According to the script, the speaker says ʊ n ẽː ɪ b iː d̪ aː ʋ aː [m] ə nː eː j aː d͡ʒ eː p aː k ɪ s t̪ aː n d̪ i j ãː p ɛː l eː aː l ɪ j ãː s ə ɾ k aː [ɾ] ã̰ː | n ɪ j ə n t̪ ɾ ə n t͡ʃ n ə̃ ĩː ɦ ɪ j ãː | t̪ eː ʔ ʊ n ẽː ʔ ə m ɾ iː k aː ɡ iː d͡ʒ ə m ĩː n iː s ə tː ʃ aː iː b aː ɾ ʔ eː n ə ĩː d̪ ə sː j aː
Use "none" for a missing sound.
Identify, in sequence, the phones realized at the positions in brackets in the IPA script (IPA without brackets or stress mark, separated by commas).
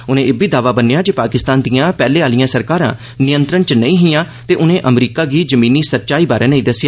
b, ɾ